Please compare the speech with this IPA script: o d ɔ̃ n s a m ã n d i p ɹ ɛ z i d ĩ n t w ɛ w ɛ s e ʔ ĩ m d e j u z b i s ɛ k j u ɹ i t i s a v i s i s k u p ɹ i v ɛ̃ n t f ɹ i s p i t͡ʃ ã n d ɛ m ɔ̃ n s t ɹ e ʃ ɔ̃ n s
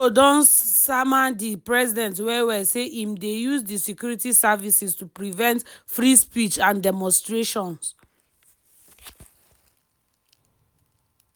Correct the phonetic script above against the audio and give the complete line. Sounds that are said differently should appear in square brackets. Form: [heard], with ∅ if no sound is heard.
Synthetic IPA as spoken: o d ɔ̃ n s a m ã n d i p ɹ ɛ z i d [ɛ̃] n t w ɛ w ɛ s e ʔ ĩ m d e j u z [d] i s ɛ k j u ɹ i t i s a v i s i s [t] u p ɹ i v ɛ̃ n t f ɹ i s p i t͡ʃ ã n d ɛ m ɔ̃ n s t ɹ e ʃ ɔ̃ n s